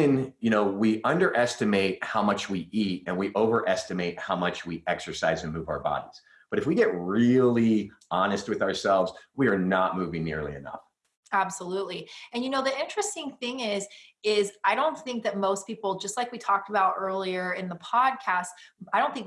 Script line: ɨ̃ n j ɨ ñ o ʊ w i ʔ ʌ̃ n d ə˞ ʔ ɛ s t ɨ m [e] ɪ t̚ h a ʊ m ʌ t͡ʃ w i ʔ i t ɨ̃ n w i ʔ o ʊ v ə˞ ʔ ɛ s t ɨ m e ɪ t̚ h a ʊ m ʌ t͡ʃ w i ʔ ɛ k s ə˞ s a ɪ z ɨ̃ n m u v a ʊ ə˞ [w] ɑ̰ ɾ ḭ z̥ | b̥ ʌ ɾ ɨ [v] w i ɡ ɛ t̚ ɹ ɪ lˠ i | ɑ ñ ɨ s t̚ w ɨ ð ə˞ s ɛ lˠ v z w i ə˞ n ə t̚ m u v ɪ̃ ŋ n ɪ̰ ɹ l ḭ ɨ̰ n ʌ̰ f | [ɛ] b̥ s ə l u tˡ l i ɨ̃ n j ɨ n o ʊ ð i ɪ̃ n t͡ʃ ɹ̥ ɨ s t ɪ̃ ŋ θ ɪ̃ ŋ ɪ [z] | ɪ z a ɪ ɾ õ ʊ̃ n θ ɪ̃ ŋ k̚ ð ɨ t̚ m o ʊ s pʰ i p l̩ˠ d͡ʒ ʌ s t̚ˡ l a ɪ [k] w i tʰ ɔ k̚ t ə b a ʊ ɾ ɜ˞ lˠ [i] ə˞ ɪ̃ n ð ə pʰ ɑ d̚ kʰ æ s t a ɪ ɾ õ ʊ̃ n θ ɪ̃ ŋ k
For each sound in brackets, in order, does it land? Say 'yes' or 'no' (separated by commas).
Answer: yes, no, no, no, yes, yes, yes